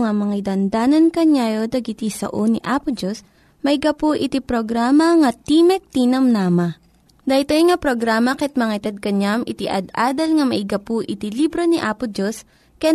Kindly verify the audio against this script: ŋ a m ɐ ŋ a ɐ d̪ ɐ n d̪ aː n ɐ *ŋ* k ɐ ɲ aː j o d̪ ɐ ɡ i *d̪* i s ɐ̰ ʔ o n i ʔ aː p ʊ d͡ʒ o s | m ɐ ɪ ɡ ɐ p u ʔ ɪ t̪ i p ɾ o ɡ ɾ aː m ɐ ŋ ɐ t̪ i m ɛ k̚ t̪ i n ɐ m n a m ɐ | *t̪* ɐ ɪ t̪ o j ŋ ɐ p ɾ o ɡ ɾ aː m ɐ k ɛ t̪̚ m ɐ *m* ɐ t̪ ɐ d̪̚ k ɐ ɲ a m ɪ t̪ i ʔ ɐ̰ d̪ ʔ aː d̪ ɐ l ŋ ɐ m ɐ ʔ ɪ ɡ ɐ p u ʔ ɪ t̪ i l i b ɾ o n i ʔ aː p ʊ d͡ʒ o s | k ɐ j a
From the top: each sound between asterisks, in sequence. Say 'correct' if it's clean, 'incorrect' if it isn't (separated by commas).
incorrect, incorrect, incorrect, incorrect